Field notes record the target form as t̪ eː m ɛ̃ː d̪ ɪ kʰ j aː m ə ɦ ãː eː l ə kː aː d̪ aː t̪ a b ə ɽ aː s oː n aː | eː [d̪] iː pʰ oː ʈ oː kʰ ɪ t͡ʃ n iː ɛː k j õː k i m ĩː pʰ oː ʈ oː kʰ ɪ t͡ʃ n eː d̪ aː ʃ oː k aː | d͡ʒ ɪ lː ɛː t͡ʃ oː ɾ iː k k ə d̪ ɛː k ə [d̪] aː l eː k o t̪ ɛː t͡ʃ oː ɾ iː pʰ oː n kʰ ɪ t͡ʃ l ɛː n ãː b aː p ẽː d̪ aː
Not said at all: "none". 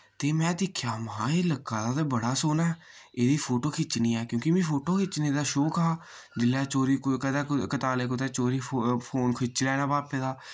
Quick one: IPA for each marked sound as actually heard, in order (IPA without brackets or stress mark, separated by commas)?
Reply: d̪, t̪